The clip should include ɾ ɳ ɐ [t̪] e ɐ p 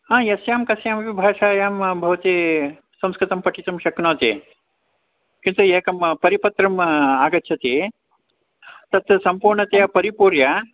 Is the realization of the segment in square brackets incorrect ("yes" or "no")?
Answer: no